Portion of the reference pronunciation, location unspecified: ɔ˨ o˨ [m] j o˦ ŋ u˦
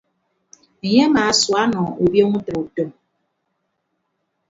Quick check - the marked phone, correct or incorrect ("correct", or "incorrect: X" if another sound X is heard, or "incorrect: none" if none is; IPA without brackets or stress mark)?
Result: incorrect: b